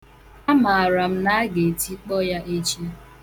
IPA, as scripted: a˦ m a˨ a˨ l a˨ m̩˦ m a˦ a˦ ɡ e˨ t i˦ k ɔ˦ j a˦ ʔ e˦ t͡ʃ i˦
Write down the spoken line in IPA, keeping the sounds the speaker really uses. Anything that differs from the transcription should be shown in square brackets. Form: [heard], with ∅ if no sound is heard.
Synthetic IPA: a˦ m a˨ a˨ [ɾ] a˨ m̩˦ [n] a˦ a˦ ɡ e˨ t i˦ [k͡p] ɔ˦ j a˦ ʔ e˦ t͡ʃ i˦

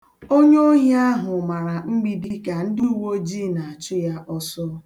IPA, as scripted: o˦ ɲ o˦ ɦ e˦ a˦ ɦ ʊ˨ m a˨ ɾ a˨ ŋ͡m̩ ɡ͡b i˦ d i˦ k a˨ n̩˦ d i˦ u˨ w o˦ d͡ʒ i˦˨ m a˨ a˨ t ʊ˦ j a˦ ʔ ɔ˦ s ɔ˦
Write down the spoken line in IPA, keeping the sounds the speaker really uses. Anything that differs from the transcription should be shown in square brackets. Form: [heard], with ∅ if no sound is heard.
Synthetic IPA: o˦ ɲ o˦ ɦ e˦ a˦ ɦ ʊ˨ m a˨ ɾ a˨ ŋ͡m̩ ɡ͡b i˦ d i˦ k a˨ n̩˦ d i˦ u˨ w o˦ d͡ʒ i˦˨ [n] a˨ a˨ [t͡ʃ] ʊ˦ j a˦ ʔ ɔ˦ s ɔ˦

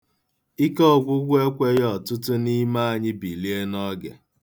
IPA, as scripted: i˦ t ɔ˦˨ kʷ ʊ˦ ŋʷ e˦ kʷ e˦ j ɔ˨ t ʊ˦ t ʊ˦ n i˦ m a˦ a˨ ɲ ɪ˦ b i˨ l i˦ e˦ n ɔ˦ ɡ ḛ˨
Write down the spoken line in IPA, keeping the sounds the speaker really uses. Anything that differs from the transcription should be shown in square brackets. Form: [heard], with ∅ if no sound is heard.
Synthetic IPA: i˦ [k] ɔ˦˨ [ɡʷ] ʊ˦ [ɡʷ] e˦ kʷ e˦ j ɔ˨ t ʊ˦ t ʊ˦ n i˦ m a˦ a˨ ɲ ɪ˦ b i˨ l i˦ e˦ n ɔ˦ ɡ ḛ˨

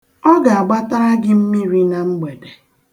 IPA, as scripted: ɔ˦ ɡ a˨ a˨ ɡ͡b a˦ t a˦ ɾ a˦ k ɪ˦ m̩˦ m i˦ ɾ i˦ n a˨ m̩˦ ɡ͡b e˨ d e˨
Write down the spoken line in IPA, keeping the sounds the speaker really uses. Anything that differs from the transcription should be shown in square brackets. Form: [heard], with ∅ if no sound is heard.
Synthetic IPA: ɔ˦ ɡ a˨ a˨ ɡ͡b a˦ t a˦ ɾ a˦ [ɡ] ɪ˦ m̩˦ m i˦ ɾ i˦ n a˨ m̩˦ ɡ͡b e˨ d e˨

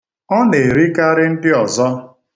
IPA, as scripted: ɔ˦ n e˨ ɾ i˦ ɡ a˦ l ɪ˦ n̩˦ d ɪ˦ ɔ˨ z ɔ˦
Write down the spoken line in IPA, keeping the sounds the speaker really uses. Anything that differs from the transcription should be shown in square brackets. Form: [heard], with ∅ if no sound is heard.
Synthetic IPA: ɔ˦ n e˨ ɾ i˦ [k] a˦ [ɾ] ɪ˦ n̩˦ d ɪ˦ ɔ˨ z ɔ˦

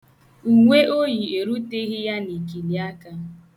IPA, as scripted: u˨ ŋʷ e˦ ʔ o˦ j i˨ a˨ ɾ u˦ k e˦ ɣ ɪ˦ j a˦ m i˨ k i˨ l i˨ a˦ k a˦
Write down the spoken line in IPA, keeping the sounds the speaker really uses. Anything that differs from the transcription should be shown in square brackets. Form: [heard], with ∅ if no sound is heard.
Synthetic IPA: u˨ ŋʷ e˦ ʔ o˦ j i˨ [e˨] ɾ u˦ [t] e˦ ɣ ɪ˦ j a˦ [n] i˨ k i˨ l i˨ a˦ k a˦

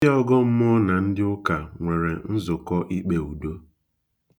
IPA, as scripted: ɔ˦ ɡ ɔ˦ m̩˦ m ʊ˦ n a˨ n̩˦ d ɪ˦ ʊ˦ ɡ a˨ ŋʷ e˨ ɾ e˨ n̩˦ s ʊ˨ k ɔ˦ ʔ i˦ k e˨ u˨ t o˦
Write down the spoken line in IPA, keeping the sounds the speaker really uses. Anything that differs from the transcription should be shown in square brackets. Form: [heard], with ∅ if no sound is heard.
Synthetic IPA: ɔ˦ ɡ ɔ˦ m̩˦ m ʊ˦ n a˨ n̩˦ d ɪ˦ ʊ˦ [k] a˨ ŋʷ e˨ ɾ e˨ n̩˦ [z] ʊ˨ k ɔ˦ ʔ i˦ [k͡p] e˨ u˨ [d] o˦

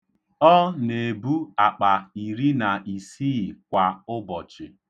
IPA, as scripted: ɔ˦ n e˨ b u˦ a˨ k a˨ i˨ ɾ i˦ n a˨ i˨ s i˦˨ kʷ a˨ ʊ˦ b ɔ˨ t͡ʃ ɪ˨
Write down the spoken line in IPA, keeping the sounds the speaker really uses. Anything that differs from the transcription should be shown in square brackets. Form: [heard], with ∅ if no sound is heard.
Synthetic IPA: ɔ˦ n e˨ b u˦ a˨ [k͡p] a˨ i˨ ɾ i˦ n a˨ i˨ s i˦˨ kʷ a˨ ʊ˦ b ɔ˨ t͡ʃ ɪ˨

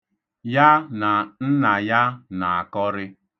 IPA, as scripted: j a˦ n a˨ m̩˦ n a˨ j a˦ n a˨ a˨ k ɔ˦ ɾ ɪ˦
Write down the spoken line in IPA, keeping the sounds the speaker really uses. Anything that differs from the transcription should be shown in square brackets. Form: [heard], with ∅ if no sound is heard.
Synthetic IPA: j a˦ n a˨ [n̩˦] n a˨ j a˦ n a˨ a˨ k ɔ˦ ɾ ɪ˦

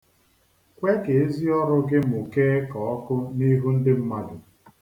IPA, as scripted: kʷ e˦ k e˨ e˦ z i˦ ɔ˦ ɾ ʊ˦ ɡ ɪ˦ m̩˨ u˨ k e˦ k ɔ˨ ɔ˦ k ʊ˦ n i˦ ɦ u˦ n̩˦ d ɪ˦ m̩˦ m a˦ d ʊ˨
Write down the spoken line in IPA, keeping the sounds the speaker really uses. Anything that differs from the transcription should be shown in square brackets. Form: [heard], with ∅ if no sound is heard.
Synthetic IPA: kʷ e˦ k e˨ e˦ z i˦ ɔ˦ ɾ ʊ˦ ɡ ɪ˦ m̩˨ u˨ k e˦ k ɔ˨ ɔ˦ k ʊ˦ n i˦ ɦ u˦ n̩˦ d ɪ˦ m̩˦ m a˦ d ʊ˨

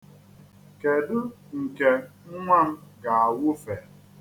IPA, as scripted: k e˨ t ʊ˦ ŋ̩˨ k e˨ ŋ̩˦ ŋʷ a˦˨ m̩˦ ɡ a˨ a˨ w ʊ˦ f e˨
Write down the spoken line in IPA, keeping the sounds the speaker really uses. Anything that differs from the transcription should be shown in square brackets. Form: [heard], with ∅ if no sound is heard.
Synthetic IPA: k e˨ [d] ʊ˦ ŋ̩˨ k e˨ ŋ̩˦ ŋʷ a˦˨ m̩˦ ɡ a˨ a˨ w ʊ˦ f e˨

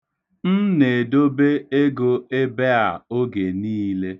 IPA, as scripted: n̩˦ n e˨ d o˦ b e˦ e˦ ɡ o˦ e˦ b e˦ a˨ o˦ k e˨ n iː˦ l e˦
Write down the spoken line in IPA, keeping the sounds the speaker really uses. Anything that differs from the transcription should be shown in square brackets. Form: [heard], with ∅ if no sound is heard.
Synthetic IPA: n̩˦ n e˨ d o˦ b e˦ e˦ ɡ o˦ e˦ b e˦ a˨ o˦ [ɡ] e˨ n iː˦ l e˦

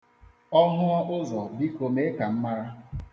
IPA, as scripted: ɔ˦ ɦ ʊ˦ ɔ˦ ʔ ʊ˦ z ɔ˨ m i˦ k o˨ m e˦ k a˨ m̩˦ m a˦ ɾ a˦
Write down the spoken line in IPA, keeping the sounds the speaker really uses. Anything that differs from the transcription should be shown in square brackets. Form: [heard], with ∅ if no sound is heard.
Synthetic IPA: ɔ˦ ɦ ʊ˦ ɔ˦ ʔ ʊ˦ z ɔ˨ [b] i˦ k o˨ m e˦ k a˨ m̩˦ m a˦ ɾ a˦

